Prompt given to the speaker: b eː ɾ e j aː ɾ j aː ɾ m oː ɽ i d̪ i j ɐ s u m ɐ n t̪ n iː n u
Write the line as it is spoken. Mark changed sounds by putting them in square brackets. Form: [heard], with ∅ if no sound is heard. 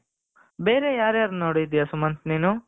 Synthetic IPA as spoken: b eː ɾ e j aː ɾ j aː ɾ [n] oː ɽ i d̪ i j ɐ s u m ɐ n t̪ n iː n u